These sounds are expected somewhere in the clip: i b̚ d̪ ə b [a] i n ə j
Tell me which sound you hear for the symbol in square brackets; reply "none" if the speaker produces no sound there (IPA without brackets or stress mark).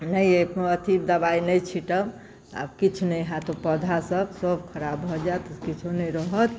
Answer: a